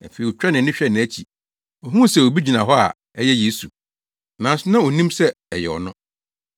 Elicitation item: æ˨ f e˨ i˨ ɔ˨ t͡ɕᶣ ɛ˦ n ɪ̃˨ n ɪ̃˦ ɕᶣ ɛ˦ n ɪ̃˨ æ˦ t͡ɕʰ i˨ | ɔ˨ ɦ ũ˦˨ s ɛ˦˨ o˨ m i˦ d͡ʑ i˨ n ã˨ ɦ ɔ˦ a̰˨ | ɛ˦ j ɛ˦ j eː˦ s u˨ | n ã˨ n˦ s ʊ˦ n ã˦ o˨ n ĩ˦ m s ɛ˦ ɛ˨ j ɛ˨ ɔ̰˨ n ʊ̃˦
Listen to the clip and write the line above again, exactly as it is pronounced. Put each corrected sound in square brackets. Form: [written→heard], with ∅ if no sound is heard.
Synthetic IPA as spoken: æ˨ f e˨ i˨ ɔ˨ t͡ɕᶣ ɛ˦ n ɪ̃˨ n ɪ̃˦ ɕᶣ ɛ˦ n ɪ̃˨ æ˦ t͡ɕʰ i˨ | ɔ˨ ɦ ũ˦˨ s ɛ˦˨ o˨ [m→b] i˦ d͡ʑ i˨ n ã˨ ɦ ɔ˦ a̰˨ | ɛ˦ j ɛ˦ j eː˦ s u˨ | n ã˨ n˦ s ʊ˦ n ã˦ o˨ n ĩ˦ m s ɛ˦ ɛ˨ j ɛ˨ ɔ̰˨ n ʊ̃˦